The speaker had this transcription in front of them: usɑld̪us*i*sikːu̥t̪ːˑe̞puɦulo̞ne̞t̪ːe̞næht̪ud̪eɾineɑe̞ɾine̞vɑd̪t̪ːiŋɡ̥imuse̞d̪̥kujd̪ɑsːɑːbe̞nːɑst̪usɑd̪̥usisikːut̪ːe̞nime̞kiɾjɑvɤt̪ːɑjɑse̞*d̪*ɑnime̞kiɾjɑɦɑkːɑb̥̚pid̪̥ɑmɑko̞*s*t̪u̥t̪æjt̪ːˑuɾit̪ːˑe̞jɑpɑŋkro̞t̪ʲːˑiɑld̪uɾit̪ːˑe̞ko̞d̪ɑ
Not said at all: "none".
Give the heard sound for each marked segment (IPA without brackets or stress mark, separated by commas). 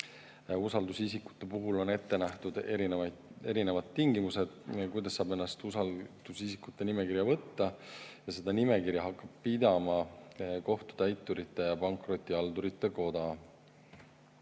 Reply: i, d̪, h